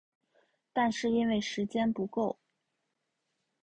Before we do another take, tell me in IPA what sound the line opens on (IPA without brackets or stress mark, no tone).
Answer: t̪